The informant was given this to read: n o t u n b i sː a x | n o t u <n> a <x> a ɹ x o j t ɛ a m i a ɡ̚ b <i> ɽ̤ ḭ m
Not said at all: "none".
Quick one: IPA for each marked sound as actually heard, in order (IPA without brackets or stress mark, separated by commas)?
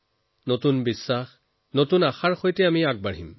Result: n, x, a